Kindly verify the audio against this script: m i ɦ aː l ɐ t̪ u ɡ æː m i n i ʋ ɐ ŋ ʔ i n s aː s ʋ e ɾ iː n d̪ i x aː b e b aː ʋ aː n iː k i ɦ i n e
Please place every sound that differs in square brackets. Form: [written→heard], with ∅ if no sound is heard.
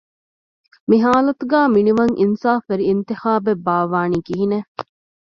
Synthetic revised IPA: m i ɦ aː l ɐ t̪ u ɡ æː m i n i ʋ ɐ ŋ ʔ i n s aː [s→f] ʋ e ɾ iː n [d̪→t̪] i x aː b e b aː ʋ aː n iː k i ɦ i n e